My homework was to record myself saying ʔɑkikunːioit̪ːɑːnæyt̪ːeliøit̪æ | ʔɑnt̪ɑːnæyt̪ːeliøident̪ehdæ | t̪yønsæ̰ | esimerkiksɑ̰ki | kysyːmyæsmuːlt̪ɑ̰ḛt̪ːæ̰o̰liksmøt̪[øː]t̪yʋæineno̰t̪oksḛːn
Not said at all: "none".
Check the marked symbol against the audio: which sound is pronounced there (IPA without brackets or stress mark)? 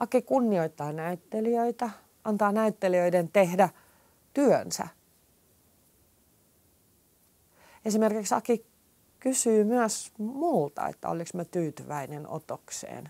yː